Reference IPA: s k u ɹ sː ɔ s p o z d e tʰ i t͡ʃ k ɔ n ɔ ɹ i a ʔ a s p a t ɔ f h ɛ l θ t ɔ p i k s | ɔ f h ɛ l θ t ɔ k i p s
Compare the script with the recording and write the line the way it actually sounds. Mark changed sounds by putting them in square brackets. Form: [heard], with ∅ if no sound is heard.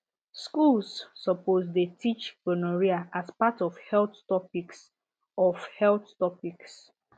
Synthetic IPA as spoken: s k u [l] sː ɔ [∅] p o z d e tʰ i t͡ʃ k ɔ n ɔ ɹ i a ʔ a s p a t ɔ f h ɛ l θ t ɔ p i k s | ɔ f h ɛ l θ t ɔ [p] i [k] s

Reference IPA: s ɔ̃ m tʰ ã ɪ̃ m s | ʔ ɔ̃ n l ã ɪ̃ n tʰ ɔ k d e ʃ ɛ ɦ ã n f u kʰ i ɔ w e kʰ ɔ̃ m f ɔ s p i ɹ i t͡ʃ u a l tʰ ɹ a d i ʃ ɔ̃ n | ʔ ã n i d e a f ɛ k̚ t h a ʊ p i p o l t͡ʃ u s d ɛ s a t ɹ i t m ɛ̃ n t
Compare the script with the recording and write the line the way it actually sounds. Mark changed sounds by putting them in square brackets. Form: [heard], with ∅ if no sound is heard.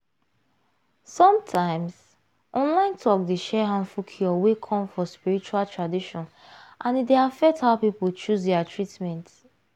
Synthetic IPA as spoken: s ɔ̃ m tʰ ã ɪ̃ m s | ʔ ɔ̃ n l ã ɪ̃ n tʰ ɔ k d e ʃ ɛ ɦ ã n f u kʰ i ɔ w e kʰ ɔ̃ m f ɔ s p i ɹ i t͡ʃ u a l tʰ ɹ a d i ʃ ɔ̃ n | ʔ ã n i d e a f ɛ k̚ t h a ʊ p i p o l t͡ʃ u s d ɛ [∅] a t ɹ i t m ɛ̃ n t

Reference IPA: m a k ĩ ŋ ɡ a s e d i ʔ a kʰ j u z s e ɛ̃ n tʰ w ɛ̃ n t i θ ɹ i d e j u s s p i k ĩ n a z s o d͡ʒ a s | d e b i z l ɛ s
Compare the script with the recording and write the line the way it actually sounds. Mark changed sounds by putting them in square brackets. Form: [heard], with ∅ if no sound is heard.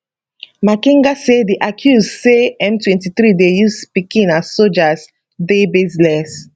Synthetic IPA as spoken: m a k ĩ ŋ ɡ a s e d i ʔ a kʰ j u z s e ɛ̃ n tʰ w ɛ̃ n t i θ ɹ i d e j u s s p i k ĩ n a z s o d͡ʒ a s | d e b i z l ɛ s

